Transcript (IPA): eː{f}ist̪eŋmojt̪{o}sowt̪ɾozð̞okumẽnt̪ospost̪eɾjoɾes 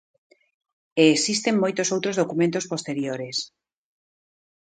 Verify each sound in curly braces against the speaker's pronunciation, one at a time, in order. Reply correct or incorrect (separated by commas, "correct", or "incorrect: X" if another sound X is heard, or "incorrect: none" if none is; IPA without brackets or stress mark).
incorrect: s, correct